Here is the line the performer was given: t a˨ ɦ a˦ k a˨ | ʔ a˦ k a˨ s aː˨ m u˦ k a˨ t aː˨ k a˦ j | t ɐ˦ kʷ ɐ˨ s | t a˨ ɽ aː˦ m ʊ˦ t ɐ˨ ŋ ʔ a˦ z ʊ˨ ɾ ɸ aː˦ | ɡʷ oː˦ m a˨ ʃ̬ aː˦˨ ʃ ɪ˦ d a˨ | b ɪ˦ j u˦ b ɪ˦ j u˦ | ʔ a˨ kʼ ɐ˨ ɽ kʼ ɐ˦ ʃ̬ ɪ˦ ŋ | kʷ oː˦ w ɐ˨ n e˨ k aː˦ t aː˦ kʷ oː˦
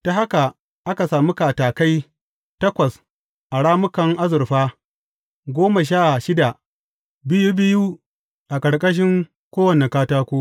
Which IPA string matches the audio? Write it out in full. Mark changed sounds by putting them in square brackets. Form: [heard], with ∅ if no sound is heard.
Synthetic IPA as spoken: t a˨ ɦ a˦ k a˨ | ʔ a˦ k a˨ s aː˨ m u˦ k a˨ t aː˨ k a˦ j | t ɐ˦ kʷ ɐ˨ s | [ʔ] a˨ ɽ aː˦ m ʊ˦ [k] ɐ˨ ŋ ʔ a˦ z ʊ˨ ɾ ɸ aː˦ | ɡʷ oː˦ m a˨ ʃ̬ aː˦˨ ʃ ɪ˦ d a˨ | b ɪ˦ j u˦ b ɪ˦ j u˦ | ʔ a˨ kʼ ɐ˨ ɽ kʼ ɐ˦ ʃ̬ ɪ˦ ŋ | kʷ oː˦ w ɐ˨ n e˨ k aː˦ t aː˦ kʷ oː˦